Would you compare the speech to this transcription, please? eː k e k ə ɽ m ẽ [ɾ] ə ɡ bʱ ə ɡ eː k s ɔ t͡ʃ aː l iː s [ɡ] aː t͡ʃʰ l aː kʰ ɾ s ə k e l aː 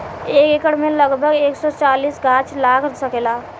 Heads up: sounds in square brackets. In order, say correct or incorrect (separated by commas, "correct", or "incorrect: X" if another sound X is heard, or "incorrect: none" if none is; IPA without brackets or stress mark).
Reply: incorrect: l, correct